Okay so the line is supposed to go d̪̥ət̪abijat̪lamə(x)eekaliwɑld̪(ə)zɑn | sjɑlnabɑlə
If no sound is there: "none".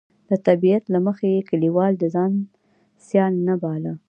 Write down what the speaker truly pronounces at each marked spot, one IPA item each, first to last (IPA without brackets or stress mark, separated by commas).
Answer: x, ə